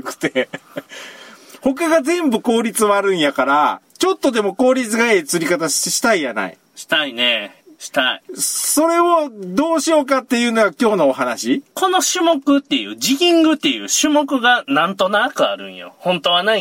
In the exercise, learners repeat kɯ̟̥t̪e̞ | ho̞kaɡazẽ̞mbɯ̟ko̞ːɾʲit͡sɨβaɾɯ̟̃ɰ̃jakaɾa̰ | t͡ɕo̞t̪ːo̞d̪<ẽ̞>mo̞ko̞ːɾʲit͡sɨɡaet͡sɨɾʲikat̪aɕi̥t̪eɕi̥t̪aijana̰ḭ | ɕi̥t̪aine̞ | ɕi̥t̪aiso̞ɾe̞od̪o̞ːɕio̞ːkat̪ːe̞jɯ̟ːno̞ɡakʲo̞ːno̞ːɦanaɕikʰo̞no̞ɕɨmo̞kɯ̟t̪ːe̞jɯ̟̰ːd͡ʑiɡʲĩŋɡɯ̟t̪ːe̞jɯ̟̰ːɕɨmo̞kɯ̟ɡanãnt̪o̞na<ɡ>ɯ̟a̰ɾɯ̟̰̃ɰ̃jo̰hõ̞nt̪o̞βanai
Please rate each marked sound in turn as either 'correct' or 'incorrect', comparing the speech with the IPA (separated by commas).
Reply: incorrect, incorrect